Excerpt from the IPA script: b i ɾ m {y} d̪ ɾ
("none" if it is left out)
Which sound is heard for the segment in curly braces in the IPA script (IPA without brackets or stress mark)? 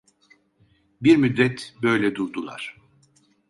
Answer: y